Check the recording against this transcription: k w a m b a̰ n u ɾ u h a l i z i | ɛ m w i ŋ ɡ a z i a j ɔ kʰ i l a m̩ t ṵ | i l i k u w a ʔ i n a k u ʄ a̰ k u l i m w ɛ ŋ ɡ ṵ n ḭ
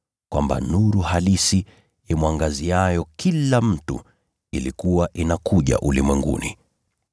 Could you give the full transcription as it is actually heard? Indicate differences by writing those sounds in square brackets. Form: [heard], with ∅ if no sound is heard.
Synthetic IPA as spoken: k w a m b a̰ n u ɾ u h a l i [s] i | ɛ m w [a] ŋ ɡ a z i a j ɔ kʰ i l a m̩ t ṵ | i l i k u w a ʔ i n a k u ʄ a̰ [ʔ] u l i m w ɛ ŋ ɡ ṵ n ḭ